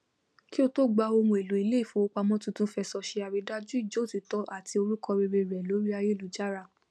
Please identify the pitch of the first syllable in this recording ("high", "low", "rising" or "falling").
high